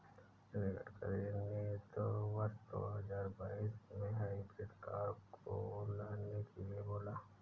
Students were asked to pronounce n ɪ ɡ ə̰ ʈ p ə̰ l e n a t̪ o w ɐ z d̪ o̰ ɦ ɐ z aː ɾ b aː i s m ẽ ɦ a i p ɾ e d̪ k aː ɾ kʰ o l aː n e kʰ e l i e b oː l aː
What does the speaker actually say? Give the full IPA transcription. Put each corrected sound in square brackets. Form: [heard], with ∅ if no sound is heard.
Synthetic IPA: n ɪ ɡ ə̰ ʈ [k] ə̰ [ɾ] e n [e] t̪ o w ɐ [s] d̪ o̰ ɦ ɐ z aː ɾ b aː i s m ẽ ɦ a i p ɾ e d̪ k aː ɾ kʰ o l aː n e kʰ e l i e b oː l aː